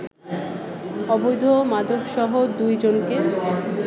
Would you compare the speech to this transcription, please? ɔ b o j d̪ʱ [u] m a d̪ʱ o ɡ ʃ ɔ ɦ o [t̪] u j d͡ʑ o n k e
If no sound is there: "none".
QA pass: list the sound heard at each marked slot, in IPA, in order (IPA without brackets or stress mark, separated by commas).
o, d̪